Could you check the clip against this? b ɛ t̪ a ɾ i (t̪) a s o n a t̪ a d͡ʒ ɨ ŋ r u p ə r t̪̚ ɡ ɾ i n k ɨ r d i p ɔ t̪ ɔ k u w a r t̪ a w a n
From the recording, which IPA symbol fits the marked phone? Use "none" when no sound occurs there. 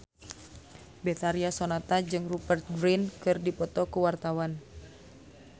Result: none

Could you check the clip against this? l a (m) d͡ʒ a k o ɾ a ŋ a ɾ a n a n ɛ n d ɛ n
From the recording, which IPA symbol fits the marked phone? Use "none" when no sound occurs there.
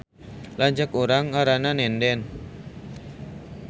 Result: ɲ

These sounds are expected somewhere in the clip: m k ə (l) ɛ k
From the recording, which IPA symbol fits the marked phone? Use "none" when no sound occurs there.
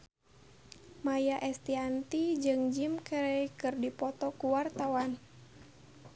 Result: ɾ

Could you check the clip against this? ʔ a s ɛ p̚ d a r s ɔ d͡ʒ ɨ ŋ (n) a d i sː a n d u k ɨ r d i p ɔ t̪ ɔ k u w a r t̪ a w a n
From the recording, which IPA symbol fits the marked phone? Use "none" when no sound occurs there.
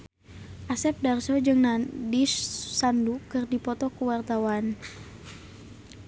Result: n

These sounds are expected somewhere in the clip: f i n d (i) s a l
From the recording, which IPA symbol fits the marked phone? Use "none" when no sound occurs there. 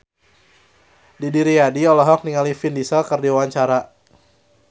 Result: i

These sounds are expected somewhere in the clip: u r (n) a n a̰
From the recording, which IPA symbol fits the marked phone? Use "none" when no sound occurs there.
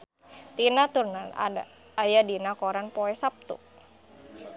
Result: n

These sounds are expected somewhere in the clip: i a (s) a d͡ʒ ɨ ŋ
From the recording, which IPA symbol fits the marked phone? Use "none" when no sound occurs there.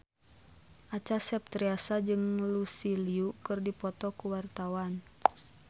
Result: s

